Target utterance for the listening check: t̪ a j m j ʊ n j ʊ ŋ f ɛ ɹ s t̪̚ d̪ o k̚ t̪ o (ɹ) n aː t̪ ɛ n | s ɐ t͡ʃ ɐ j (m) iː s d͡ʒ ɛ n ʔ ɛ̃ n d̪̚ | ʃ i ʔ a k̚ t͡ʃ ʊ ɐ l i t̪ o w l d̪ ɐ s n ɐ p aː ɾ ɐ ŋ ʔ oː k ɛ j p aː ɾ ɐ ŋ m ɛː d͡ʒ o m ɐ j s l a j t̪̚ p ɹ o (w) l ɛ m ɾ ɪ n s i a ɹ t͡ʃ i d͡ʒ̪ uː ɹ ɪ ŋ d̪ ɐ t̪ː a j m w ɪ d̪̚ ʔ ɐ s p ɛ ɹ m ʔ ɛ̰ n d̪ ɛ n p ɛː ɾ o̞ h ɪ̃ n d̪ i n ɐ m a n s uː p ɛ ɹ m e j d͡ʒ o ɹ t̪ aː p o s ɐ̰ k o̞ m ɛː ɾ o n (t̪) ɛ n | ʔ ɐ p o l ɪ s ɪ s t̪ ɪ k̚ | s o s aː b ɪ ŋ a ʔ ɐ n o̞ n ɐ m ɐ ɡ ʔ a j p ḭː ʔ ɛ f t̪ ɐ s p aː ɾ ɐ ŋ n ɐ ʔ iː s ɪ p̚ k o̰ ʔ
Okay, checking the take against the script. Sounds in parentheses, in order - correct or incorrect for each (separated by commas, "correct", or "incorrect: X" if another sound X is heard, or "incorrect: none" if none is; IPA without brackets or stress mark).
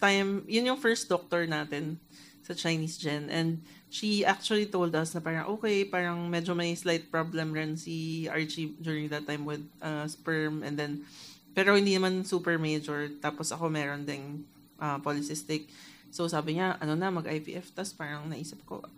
correct, incorrect: n, incorrect: b, incorrect: d̪